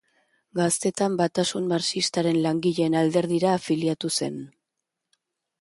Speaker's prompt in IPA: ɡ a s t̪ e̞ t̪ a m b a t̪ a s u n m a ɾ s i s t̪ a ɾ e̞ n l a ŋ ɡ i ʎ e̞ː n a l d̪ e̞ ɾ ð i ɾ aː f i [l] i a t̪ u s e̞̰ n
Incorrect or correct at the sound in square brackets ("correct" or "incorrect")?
correct